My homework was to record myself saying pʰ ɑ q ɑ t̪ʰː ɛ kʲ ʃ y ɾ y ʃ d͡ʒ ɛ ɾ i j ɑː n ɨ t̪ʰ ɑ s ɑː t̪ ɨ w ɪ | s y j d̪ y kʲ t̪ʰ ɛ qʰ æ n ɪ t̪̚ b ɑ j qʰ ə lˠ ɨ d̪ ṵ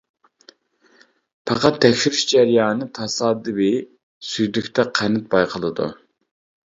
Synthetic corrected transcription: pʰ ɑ q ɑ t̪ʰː ɛ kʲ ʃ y ɾ y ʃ d͡ʒ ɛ ɾ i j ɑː n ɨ t̪ʰ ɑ s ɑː d̪ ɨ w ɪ | s y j d̪ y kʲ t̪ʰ ɛ qʰ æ n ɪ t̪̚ b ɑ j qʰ ə lˠ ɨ d̪ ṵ